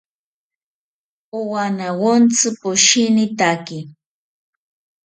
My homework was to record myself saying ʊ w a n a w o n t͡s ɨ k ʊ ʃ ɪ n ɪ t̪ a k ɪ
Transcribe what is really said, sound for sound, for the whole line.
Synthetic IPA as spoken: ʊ w a n a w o n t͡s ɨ p ʊ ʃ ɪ n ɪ t̪ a k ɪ